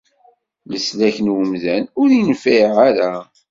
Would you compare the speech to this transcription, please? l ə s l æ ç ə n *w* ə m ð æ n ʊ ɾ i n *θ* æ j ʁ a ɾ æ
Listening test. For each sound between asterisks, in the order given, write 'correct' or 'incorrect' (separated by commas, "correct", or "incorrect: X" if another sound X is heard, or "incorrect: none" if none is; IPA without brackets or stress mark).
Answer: correct, incorrect: f